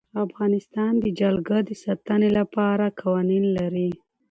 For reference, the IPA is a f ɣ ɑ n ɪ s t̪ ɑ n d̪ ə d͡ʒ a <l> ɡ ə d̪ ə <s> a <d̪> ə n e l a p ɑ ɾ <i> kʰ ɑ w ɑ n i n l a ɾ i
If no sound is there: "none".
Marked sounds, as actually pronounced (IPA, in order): l, s, t̪, a

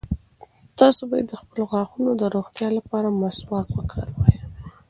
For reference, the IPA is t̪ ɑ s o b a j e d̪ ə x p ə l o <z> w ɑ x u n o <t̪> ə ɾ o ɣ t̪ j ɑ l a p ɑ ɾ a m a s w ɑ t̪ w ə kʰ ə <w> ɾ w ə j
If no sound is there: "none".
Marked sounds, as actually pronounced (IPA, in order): ɣ, d̪, none

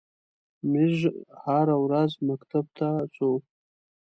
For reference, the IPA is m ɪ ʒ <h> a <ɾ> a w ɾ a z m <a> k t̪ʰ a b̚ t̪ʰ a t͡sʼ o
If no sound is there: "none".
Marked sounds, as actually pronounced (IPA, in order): h, ɾ, a

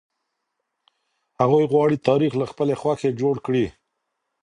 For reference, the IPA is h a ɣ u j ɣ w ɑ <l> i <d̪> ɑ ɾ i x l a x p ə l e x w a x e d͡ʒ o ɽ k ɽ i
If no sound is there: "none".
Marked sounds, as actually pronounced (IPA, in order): ɽ, t̪

